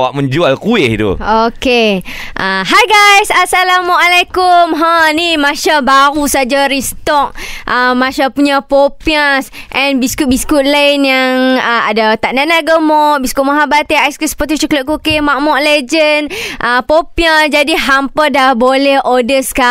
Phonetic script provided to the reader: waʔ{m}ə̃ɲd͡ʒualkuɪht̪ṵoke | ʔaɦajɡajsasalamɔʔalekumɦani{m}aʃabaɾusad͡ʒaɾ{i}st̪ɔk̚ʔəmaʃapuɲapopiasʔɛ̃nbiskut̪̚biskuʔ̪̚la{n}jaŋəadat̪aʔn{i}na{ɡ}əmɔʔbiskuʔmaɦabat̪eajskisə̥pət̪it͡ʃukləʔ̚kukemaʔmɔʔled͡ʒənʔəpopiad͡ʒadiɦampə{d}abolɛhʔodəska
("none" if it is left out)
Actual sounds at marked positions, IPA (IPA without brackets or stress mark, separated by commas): m, m, i, n, a, ɡ, d